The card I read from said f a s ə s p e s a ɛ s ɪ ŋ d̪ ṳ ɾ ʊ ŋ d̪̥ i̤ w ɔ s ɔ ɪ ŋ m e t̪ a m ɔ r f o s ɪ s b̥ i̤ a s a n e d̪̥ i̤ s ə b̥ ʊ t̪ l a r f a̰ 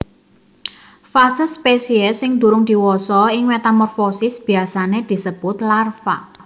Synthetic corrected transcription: f a s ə s p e s i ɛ s ɪ ŋ d̪ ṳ ɾ ʊ ŋ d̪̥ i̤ w ɔ s ɔ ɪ ŋ m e t̪ a m ɔ r f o s ɪ s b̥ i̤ a s a n e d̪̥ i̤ s ə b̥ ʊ t̪ l a r f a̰